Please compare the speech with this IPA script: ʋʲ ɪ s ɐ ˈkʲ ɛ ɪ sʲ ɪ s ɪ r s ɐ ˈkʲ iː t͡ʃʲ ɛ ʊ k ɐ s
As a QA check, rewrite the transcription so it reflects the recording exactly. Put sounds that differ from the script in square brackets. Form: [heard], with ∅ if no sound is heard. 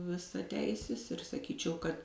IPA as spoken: ʋʲ ɪ s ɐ [ˈtʲ] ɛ ɪ sʲ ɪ s ɪ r s ɐ ˈkʲ iː t͡ʃʲ ɛ ʊ k ɐ [t]